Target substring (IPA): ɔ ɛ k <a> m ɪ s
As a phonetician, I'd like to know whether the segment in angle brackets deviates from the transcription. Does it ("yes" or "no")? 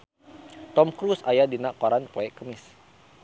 yes